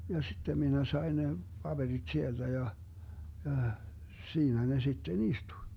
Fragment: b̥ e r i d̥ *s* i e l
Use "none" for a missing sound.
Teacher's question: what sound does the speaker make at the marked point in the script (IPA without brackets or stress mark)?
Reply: s